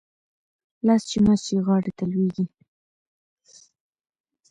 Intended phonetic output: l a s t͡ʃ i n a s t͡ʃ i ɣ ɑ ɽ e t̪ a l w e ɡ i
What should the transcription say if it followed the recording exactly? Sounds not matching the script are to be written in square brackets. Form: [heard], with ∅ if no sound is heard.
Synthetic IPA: l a s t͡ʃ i [m] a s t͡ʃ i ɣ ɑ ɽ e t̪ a l w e ɡ i